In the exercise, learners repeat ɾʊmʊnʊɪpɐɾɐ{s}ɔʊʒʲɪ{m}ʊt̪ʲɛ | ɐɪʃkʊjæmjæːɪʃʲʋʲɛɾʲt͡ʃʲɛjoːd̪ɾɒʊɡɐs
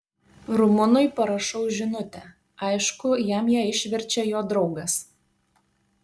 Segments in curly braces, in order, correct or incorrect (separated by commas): incorrect, incorrect